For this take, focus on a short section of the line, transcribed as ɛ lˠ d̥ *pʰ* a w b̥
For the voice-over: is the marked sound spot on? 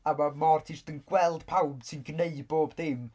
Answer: yes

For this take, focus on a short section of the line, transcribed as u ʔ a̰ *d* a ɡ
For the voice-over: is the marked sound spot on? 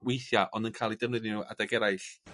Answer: yes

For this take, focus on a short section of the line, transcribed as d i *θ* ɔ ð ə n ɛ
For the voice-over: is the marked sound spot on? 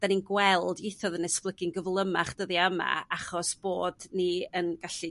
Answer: yes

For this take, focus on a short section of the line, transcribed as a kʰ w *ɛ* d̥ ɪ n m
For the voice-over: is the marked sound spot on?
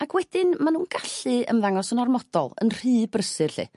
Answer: yes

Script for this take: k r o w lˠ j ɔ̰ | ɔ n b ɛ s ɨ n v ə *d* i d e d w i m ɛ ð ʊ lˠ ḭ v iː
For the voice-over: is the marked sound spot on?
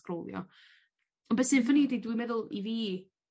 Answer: no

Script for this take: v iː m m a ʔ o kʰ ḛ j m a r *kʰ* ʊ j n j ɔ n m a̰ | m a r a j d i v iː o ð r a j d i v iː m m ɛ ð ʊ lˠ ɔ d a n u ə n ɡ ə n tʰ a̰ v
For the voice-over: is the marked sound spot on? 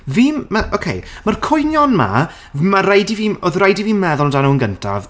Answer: yes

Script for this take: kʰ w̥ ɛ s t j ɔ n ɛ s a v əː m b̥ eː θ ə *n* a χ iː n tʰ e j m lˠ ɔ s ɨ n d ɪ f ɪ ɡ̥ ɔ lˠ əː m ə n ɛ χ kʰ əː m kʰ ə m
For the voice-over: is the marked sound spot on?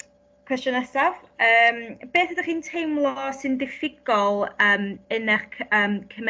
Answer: no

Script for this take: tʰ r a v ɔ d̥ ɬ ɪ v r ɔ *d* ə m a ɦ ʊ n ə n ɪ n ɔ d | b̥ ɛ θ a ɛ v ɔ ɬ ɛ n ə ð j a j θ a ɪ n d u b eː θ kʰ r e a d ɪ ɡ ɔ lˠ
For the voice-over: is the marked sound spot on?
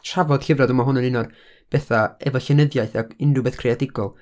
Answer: yes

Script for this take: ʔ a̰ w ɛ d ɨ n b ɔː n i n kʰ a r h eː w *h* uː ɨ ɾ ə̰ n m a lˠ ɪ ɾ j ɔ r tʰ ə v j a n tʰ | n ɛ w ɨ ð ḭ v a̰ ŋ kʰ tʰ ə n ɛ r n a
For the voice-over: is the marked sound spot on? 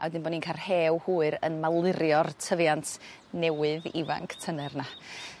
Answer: yes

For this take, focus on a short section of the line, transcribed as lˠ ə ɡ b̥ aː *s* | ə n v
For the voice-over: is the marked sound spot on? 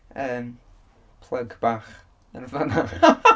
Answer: no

